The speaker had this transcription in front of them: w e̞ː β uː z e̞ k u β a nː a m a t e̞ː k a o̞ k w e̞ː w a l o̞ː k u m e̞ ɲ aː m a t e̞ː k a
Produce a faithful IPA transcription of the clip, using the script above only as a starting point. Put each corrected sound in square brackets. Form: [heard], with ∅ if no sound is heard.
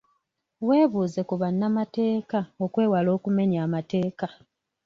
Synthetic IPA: w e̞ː β uː z e̞ k u β a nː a m a t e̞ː k a o̞ k w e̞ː w a l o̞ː k u m e̞ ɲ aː m a t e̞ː k a